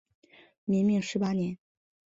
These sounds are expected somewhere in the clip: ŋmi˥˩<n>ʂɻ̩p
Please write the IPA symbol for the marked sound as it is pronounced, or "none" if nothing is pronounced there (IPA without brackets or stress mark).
ŋ